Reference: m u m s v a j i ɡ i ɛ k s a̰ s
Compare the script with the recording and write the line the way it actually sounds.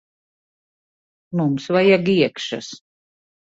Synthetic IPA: m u m s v a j a ɡ i ɛ k ʃ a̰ s